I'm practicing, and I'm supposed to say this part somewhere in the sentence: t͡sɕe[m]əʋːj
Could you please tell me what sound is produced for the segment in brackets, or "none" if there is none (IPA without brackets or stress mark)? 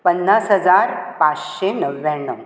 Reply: n